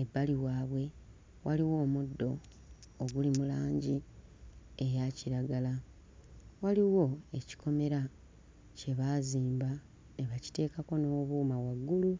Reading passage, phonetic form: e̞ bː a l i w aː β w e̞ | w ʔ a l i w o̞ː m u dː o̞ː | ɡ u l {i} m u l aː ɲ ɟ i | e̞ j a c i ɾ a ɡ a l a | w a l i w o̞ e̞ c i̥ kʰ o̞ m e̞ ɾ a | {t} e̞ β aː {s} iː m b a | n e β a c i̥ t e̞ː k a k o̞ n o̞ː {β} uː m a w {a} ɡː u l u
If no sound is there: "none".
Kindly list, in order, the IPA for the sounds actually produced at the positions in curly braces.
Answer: i, c, z, β, a

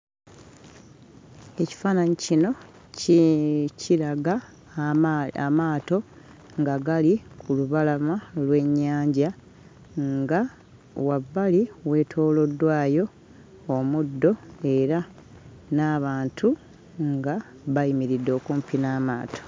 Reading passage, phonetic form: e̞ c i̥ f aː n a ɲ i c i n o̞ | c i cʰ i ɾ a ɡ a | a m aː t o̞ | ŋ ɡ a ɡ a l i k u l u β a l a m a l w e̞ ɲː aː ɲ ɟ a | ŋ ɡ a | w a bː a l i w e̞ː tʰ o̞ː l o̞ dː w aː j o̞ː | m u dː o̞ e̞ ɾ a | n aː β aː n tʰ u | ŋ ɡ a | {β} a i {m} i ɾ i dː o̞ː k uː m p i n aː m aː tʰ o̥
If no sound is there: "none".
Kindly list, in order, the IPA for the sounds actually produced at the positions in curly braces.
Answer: β, m

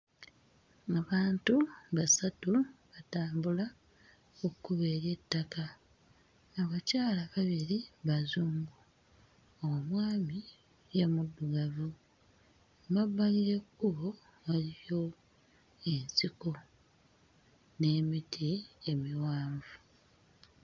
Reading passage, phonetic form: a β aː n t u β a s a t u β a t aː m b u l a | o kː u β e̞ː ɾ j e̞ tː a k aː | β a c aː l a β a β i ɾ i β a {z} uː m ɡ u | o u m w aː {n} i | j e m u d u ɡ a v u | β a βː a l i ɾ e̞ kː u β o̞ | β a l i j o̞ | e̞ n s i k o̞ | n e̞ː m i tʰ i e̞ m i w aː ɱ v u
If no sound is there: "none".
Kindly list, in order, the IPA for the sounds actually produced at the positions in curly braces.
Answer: z, m

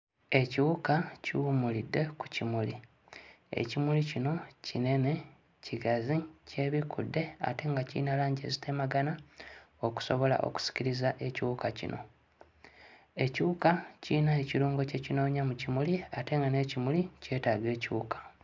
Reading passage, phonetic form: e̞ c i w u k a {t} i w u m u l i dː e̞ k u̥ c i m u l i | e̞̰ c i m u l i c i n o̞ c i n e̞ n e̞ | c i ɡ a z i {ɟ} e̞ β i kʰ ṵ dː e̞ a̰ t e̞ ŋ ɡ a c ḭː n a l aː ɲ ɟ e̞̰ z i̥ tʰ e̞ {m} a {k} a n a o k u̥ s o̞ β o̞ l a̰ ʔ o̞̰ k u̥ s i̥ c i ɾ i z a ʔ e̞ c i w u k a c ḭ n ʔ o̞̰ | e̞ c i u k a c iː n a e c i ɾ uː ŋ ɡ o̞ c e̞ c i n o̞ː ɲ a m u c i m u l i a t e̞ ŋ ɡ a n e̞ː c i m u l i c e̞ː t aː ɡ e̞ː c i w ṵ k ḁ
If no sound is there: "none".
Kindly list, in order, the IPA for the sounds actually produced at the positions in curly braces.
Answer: c, c, m, ɡ

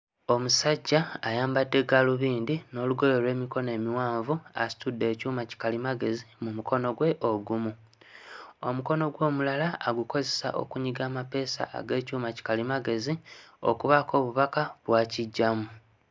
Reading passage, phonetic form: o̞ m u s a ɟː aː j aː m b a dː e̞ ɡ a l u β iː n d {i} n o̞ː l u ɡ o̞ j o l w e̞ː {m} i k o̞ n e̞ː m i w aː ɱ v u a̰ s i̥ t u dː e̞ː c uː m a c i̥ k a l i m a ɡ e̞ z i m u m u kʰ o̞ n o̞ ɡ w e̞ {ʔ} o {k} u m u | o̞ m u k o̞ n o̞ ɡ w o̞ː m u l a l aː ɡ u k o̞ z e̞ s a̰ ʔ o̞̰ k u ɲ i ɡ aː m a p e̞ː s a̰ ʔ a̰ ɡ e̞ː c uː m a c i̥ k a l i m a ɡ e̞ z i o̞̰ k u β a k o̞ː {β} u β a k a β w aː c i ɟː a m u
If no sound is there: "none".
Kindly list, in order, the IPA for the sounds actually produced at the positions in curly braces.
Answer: i, m, ʔ, ɡ, β

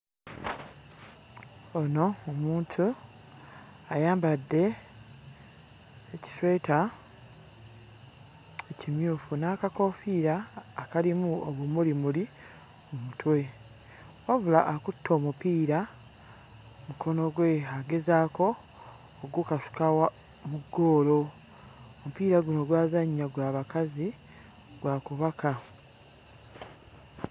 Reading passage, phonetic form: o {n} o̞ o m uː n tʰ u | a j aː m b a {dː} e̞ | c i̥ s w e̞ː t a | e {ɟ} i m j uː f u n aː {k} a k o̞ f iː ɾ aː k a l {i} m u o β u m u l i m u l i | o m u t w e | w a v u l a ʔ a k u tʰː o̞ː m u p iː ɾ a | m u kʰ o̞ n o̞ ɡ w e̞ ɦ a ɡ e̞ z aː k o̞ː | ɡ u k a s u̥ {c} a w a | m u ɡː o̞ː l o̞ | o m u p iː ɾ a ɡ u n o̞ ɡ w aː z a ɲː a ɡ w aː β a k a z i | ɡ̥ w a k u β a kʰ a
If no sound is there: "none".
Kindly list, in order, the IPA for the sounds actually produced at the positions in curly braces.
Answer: n, dː, c, k, i, k

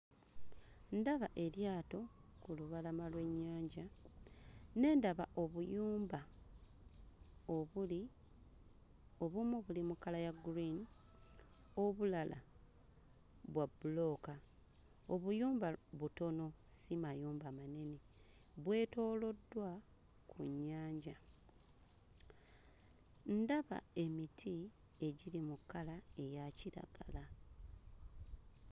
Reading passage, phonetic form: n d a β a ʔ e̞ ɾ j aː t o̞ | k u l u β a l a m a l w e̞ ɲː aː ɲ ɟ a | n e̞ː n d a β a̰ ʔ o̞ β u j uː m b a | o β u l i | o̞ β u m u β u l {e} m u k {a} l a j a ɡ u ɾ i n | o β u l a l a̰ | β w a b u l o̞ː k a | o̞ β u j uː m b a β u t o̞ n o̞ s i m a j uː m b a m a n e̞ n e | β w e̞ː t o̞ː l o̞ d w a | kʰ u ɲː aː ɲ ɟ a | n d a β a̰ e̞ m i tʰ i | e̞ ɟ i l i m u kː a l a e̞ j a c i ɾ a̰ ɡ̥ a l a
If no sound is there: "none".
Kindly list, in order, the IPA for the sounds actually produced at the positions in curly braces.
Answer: i, a

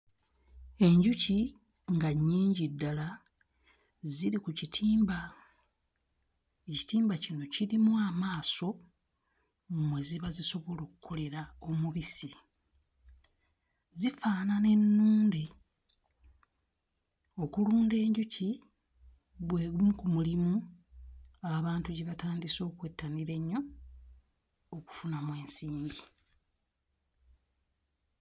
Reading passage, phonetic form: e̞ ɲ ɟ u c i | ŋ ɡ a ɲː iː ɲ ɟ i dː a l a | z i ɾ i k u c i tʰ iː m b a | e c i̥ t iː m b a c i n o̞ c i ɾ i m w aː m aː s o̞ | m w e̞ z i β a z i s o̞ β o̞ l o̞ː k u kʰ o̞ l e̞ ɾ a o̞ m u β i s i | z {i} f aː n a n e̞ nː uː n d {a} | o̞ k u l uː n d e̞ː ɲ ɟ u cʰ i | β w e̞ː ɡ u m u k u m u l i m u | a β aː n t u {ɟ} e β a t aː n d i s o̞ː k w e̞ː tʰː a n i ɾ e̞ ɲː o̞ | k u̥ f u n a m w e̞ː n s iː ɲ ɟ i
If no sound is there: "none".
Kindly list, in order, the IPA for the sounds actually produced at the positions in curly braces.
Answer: i, e, ɟ

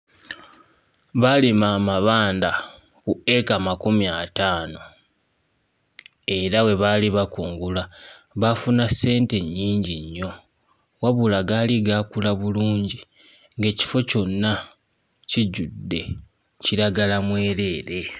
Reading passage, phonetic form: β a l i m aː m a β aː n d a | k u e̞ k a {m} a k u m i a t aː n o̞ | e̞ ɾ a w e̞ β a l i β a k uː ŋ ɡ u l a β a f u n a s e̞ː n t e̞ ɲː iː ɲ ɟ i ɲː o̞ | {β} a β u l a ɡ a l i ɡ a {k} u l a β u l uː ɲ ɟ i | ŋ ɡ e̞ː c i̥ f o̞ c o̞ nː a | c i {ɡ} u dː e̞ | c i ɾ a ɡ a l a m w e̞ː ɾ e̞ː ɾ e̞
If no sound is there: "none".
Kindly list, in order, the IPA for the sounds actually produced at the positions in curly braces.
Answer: m, w, k, ɟ

